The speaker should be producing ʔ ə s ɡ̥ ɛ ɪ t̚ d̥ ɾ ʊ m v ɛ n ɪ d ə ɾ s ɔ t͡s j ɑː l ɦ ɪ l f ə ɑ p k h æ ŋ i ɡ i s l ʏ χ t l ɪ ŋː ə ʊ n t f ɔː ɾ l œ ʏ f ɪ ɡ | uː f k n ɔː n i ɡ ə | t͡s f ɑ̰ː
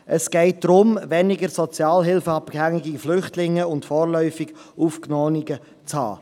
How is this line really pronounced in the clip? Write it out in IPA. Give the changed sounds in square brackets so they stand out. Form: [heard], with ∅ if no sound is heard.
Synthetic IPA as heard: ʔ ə s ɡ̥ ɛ ɪ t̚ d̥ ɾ ʊ m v ɛ n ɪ [ɡ] ə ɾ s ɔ t͡s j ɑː l ɦ ɪ l f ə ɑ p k h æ ŋ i ɡ i [f] l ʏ χ t l ɪ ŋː ə ʊ n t f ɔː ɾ l œ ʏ f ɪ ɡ | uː f k n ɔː n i ɡ ə | t͡s [h] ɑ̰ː